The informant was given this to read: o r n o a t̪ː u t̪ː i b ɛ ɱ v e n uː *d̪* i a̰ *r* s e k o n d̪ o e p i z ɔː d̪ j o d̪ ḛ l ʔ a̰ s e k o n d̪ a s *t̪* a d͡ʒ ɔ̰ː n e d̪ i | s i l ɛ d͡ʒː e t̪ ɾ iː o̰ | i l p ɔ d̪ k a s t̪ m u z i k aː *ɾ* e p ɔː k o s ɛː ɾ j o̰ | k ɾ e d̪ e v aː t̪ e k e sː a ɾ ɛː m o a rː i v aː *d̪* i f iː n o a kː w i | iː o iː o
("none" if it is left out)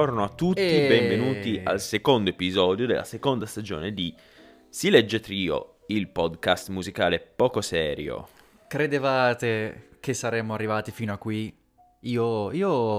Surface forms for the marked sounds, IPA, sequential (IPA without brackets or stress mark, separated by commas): t̪, l, t̪, l, t̪